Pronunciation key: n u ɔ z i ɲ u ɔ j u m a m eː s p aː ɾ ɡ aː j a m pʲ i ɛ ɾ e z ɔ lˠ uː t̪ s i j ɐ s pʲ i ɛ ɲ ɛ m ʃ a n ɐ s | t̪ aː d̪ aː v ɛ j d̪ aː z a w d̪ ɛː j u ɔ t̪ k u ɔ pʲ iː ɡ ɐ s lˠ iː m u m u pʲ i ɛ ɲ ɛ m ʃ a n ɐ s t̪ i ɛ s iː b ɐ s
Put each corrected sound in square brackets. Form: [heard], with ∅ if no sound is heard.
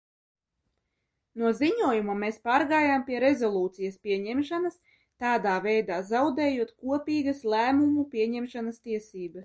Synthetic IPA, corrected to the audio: n u ɔ z i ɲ u ɔ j u m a m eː s p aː ɾ ɡ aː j a m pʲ i ɛ ɾ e z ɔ lˠ uː t̪ s i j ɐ s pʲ i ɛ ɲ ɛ m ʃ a n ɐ s | t̪ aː d̪ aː v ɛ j d̪ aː z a w d̪ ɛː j u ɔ t̪ k u ɔ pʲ iː ɡ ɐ s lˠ [æː] m u m u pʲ i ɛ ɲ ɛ m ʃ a n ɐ s t̪ i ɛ s iː b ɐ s